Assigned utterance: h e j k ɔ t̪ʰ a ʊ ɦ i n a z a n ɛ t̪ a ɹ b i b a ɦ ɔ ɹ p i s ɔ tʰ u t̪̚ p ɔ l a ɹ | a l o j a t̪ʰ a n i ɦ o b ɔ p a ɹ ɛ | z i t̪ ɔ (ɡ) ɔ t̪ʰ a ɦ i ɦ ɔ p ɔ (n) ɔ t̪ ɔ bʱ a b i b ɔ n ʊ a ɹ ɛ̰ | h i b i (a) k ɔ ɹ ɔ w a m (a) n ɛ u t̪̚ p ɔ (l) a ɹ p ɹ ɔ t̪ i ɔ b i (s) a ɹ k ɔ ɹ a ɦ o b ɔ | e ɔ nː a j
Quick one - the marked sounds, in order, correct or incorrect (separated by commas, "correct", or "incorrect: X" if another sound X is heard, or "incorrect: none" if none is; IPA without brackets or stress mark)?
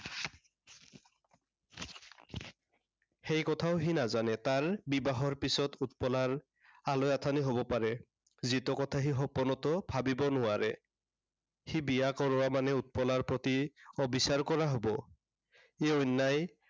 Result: incorrect: k, correct, correct, correct, correct, correct